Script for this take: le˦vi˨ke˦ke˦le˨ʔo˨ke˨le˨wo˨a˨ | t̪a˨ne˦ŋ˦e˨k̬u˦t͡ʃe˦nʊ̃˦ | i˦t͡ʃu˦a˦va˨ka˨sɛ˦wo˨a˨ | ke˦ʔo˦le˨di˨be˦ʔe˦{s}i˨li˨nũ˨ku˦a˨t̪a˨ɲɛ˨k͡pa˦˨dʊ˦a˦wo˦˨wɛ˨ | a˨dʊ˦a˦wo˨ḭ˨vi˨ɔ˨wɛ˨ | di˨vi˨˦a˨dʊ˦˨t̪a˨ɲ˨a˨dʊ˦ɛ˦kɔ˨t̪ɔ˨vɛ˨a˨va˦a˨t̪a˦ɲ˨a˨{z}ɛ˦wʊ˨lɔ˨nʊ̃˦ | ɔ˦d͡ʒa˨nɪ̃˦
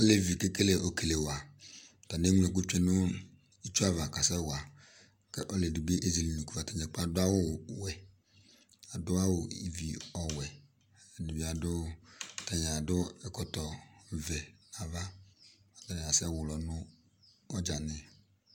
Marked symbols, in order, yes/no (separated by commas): no, no